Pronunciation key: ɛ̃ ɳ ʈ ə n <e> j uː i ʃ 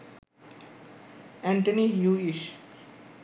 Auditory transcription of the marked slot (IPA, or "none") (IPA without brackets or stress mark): i